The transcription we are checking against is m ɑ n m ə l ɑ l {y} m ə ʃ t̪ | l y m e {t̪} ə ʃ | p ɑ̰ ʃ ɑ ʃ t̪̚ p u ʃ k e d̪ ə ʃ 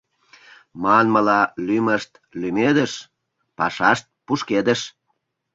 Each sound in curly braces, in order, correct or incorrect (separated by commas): correct, incorrect